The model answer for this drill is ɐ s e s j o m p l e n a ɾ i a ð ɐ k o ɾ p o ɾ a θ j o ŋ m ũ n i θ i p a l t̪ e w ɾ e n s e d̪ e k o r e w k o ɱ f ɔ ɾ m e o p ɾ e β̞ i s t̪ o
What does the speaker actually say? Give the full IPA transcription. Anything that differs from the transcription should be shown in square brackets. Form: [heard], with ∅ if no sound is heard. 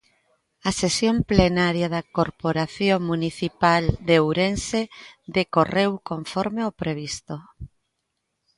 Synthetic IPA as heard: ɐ s e s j o m p l e n a ɾ [j] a ð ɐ k o ɾ p o ɾ a θ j o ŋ m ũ n i θ i p a l [d̪] e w ɾ e n s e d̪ e k o r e w k o ɱ f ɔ ɾ m e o p ɾ e β̞ i s t̪ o